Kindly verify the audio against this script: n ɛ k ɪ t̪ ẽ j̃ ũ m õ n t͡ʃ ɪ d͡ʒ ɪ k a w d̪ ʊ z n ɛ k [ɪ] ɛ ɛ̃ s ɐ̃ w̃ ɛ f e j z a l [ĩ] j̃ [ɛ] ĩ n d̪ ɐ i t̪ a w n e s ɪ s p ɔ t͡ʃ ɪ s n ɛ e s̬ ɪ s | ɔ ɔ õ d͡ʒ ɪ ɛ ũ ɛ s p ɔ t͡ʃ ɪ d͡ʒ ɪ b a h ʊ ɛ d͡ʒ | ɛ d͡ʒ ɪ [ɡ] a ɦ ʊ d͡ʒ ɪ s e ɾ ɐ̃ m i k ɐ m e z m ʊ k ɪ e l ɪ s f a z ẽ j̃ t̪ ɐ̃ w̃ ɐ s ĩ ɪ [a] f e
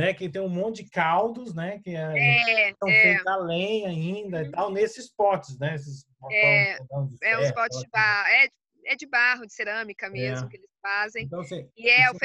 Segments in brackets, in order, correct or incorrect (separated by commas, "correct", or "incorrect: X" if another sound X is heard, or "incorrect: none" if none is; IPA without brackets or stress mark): correct, incorrect: ẽ, incorrect: a, incorrect: b, incorrect: ɛ